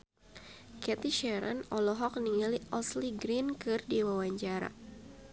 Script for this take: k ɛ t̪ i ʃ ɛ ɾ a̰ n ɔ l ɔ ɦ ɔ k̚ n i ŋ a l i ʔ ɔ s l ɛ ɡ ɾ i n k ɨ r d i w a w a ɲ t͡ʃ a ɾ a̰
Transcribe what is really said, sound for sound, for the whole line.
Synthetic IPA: k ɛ t̪ i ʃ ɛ ɾ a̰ n ɔ l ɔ ɦ ɔ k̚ n i ŋ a l i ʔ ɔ s l i ɡ ɾ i n k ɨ r d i w a w a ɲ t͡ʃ a ɾ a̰